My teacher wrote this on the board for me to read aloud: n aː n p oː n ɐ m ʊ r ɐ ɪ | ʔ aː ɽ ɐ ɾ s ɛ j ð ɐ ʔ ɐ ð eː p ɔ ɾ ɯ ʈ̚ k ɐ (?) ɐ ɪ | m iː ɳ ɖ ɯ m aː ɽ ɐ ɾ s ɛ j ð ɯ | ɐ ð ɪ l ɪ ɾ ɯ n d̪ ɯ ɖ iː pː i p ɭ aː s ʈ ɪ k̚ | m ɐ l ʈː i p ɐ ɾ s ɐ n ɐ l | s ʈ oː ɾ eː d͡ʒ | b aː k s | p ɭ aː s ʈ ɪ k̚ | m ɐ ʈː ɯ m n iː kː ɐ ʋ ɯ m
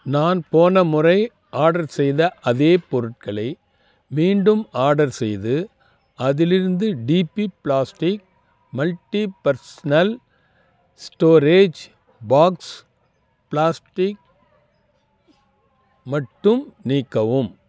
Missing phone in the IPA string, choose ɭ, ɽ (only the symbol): ɭ